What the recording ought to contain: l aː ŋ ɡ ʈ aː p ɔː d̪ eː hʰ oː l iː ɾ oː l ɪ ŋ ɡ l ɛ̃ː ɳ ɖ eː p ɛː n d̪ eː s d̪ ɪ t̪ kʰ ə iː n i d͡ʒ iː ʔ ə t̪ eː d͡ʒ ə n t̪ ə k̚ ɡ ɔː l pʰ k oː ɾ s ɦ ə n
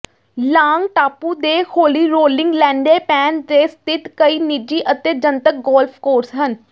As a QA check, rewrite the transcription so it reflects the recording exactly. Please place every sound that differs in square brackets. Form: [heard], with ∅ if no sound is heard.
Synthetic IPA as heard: l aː ŋ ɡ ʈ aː p [uː] d̪ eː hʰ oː l iː ɾ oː l ɪ ŋ ɡ l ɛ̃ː ɳ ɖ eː p ɛː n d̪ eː s [t̪] ɪ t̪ [k] ə iː n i d͡ʒ iː ʔ ə t̪ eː d͡ʒ ə n t̪ ə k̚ ɡ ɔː l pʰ k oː ɾ s ɦ ə n